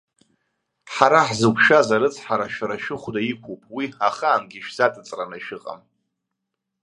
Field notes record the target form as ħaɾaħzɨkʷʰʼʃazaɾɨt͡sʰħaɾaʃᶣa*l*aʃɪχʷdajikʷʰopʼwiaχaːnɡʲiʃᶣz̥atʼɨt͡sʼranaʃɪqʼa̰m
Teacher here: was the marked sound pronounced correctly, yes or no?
no